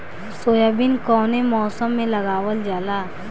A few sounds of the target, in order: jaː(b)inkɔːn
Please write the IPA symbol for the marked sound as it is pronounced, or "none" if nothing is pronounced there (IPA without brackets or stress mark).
b